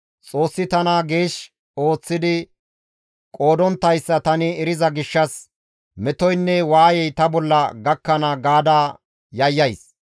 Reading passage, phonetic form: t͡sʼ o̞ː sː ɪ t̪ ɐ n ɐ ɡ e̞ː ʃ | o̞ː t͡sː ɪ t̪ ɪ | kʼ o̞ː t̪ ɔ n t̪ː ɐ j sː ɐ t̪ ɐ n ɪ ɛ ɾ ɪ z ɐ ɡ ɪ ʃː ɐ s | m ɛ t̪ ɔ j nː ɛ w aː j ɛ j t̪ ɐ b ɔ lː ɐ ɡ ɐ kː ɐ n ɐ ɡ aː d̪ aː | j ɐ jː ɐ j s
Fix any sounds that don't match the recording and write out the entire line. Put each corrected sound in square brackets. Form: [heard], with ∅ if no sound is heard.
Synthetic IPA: t͡sʼ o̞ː sː ɪ t̪ ɐ n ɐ ɡ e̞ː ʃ | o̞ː t͡sː ɪ [d̪] ɪ | kʼ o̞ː [d̪] ɔ n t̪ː ɐ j sː ɐ t̪ ɐ n ɪ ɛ ɾ ɪ z ɐ ɡ ɪ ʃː ɐ s | m ɛ t̪ ɔ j nː ɛ w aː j ɛ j t̪ ɐ b ɔ lː ɐ ɡ ɐ kː ɐ n ɐ ɡ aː d̪ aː | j ɐ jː ɐ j s